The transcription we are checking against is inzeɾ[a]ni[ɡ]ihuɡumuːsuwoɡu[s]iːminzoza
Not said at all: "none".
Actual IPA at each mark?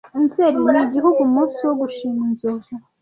i, ɟ, ʃ

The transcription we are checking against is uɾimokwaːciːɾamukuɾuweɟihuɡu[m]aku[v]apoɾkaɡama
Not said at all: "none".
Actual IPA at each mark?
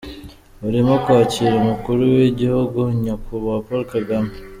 ɲ, β

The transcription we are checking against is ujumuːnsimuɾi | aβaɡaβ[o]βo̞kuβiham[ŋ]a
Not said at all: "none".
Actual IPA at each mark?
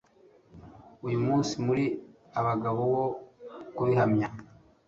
o, ɲ

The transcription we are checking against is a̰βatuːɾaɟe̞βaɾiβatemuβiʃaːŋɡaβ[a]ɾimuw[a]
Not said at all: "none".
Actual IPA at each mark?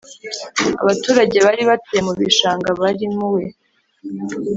a, e

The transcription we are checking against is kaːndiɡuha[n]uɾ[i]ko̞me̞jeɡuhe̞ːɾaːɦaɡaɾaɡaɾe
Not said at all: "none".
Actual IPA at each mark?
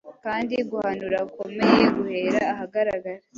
n, a

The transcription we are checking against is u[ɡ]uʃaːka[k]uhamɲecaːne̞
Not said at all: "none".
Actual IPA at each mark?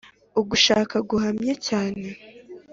ɡ, ɡ

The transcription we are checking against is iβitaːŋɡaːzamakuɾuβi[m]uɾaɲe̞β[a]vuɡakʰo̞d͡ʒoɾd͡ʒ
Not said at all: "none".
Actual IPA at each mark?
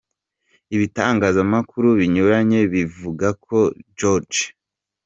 ɲ, i

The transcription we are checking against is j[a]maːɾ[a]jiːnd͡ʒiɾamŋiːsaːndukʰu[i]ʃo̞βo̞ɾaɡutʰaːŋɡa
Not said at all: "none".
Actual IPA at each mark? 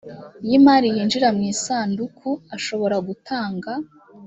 i, i, a

